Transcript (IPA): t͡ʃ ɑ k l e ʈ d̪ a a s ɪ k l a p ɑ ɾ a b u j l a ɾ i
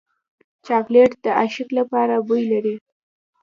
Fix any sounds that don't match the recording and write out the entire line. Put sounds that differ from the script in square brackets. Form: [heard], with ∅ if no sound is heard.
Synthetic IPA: t͡ʃ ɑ k l e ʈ d̪ [ə] a [ʃ] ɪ k l a p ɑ ɾ a b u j l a ɾ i